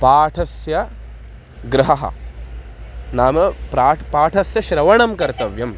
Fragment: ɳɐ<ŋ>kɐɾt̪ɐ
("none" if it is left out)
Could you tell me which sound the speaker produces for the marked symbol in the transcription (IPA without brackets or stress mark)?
m